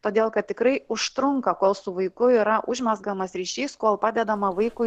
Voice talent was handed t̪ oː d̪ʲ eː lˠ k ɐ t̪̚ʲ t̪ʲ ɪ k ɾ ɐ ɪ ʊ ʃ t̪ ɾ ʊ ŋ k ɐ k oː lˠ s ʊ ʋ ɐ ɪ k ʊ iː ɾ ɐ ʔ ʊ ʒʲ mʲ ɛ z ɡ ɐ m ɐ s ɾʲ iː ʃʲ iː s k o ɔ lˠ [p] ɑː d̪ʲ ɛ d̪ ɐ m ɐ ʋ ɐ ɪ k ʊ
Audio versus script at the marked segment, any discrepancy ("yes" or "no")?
no